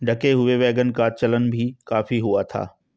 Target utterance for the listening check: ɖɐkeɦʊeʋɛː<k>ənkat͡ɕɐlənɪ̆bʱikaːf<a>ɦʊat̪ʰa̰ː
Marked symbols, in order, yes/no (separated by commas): no, no